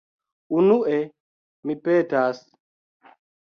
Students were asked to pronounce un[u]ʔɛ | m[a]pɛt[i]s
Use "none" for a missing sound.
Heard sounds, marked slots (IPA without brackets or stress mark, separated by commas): u, i, a